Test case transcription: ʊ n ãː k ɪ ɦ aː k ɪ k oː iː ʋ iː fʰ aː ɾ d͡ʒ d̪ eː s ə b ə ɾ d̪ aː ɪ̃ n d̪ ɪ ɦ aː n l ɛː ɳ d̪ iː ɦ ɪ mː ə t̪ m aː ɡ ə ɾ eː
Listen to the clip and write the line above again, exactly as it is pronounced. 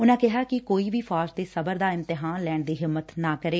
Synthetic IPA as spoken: ʊ n ãː k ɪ ɦ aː k ɪ k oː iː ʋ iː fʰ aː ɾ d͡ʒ d̪ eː s ə b ə ɾ d̪ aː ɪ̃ n t̪ ɪ ɦ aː n l ɛː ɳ d̪ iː ɦ ɪ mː ə t̪ n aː k ə ɾ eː